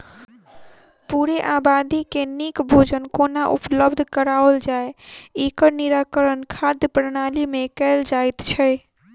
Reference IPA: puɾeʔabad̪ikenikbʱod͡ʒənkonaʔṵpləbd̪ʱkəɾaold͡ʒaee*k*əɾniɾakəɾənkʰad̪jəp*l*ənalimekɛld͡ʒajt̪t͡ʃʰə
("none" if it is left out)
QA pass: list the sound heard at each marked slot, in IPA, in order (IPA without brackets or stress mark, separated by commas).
k, ɾ